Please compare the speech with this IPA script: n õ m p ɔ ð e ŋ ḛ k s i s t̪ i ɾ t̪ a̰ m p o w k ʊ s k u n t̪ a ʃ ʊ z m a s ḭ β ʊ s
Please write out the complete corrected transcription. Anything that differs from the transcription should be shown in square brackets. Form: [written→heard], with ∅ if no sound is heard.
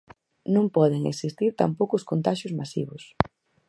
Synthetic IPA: n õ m p ɔ ð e ŋ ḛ k s i s t̪ i ɾ t̪ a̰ m p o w k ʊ s k [u→o] n t̪ a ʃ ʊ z m a s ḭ β ʊ s